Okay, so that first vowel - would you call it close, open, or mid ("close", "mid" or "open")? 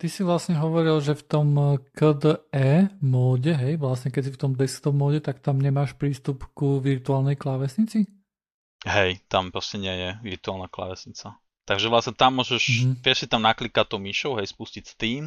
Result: close